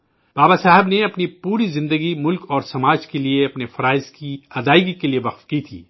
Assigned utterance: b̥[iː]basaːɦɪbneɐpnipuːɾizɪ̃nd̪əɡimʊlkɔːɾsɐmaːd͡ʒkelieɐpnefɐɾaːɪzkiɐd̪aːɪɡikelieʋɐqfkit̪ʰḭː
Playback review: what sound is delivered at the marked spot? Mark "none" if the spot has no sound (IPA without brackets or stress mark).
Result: aː